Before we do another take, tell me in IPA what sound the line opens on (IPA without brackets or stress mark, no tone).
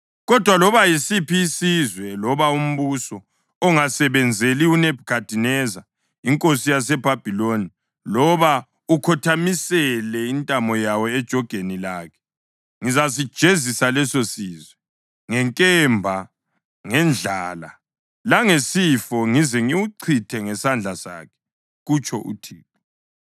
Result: ɣ